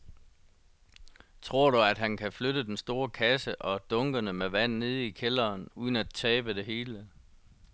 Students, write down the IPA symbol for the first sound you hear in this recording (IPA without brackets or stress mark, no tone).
t͡sʰ